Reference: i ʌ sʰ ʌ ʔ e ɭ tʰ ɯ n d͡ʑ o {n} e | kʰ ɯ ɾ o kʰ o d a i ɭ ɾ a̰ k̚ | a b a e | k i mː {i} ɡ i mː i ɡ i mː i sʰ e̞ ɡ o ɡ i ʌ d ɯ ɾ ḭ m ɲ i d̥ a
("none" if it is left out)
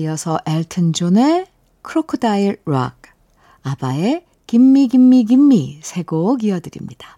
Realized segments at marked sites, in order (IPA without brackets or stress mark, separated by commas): n, i